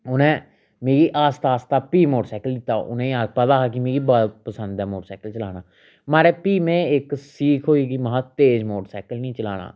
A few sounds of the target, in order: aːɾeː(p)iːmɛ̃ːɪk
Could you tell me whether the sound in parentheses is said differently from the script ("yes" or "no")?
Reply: no